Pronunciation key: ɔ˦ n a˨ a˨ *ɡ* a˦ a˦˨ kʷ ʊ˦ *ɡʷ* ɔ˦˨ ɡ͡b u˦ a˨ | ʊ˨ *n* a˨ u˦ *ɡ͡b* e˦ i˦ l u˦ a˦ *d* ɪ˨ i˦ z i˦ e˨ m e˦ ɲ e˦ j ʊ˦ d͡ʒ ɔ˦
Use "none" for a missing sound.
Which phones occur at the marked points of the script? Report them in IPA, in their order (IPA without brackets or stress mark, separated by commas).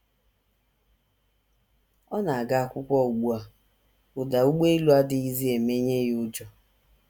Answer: ɡ, kʷ, d, ɡ͡b, d